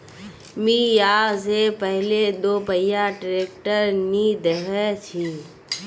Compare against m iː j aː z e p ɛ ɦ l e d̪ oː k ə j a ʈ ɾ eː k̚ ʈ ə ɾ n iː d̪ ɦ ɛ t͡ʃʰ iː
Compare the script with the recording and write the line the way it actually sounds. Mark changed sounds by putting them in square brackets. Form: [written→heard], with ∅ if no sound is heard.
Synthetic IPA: m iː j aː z e p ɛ ɦ l e d̪ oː [k→p] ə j a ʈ ɾ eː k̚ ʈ ə ɾ n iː d̪ ɦ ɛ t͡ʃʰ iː